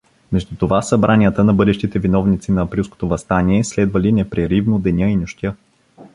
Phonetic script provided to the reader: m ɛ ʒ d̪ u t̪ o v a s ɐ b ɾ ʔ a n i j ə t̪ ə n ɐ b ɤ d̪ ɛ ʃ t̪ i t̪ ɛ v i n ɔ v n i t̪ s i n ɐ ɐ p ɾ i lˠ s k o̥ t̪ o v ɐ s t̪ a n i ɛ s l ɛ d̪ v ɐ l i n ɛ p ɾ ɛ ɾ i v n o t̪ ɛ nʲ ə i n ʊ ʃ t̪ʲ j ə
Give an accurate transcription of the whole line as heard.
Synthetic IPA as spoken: m ɛ ʒ d̪ u t̪ o v a s ɐ b ɾ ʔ a n i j ə t̪ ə n ɐ b ɤ d̪ ɛ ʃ t̪ i t̪ ɛ v i n ɔ v n i t̪ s i n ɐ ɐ p ɾ i lˠ s k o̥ t̪ o v ɐ s t̪ a n i ɛ s l ɛ d̪ v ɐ l i n ɛ p ɾ ɛ ɾ i v n o d̪ ɛ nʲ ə i n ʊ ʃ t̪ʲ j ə